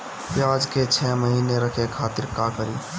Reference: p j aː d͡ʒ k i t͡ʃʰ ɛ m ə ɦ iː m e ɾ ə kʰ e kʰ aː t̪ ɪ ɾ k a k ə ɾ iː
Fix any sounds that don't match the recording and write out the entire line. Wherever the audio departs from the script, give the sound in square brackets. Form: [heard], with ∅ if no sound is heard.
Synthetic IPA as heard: p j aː d͡ʒ k [e] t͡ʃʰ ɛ m ə ɦ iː [n] e ɾ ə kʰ e kʰ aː t̪ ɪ ɾ k a k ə ɾ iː